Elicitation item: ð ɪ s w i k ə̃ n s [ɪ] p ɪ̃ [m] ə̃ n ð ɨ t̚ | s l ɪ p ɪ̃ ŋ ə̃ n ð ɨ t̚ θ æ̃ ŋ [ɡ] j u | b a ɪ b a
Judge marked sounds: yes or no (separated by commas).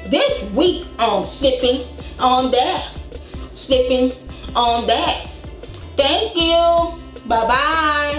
yes, no, no